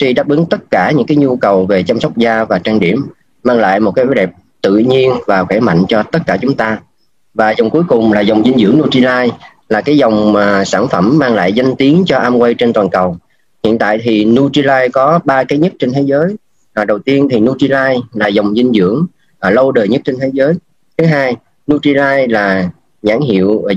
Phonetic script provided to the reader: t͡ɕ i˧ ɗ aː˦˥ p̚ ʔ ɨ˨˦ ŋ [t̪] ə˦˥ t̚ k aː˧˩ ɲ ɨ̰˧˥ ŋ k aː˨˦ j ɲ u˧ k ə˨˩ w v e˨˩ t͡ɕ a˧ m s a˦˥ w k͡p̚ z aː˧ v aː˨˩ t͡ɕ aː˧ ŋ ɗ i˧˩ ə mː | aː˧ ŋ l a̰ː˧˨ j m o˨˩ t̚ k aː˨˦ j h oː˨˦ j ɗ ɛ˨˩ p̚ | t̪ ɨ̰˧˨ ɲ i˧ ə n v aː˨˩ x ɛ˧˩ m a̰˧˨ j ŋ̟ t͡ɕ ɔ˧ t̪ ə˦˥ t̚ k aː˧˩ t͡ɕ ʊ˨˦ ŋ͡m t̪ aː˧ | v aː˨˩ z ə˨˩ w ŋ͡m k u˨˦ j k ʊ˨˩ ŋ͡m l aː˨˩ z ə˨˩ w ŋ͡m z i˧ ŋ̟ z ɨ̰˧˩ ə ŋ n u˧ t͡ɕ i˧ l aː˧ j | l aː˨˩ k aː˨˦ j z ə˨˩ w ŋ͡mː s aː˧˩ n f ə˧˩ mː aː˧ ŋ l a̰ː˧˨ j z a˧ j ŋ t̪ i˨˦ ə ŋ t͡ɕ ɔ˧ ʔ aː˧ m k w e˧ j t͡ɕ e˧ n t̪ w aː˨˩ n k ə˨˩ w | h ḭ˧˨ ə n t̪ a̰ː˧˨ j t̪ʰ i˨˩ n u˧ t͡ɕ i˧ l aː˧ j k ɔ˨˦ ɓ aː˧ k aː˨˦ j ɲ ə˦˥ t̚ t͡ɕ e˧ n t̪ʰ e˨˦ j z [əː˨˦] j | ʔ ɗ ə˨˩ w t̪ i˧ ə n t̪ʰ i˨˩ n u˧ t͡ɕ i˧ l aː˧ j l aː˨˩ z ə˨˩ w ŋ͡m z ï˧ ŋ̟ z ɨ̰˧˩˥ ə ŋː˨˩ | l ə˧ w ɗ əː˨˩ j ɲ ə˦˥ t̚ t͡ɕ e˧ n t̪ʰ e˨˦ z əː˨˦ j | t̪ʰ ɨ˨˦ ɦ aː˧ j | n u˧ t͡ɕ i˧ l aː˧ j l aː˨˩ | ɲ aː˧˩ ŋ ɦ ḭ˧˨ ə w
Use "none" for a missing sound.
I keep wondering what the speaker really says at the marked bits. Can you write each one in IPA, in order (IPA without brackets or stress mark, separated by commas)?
t̪, əː˨˦